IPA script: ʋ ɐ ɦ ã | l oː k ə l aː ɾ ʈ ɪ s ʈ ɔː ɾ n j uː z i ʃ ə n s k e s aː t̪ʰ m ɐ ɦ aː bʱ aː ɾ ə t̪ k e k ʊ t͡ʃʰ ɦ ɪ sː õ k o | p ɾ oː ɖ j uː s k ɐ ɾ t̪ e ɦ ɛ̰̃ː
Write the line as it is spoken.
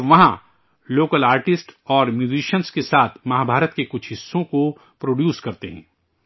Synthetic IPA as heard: ʋ ɐ ɦ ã | l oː k ə l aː ɾ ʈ ɪ s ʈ ɔː ɾ m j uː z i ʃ ə n s k e s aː t̪ʰ m ɐ ɦ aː bʱ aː ɾ ə t̪ k e k ʊ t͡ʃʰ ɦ ɪ sː õ k o | p ɾ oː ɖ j uː s k ɐ ɾ t̪ e ɦ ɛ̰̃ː

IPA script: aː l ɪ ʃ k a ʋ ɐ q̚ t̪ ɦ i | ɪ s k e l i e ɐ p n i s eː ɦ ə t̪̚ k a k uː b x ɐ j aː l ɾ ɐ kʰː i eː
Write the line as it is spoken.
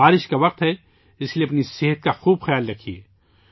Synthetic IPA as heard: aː ɾ ɪ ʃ k a ʋ ɐ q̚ t̪ ɦ ɛ | ɪ s k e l i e ɐ p n i s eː ɦ ə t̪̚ k a x uː b x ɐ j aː l ɾ ɐ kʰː i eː

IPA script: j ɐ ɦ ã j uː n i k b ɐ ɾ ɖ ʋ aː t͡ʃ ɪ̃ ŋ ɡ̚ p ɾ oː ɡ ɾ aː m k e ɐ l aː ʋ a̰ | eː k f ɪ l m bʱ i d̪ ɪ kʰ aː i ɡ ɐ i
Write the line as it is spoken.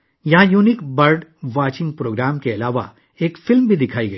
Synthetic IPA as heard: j ɐ ɦ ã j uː n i k b ɐ ɾ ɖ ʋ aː t͡ʃ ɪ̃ ŋ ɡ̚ p ɾ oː ɡ ɾ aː m k e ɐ l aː ʋ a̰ | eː k f ɪ l m bʱ i d̪ ɪ kʰ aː i ɡ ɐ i

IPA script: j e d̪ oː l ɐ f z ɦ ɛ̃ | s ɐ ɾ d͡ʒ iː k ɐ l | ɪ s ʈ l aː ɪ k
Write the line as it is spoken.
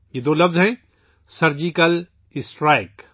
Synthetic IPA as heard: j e d̪ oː l ɐ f z ɦ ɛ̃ | s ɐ ɾ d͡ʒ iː k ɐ l | ɪ s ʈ ɾ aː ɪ k

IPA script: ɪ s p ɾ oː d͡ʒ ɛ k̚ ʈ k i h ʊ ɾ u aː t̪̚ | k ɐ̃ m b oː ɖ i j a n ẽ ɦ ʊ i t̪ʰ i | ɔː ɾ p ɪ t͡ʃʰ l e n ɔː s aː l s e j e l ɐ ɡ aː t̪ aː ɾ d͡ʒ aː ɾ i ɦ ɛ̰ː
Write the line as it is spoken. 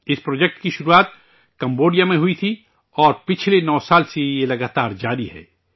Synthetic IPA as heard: ɪ s p ɾ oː d͡ʒ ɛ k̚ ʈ k i ʃ ʊ ɾ u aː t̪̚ | k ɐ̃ m b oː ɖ i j a m ẽ ɦ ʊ i t̪ʰ i | ɔː ɾ p ɪ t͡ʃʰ l e n ɔː s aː l s e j e l ɐ ɡ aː t̪ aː ɾ d͡ʒ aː ɾ i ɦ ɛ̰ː

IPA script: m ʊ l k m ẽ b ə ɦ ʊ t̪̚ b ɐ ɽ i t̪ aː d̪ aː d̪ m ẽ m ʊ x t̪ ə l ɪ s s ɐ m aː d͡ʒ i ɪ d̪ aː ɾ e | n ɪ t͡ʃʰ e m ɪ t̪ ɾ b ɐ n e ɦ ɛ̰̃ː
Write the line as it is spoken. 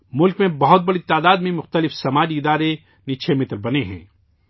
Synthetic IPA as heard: m ʊ l k m ẽ b ɐ ɦ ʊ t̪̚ b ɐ ɽ i t̪ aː d̪ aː d̪ m ẽ m ʊ x t̪ ə l ɪ f s ɐ m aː d͡ʒ i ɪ d̪ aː ɾ e | n ɪ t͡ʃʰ e m ɪ t̪ ɾ b ɐ n e ɦ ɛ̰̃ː

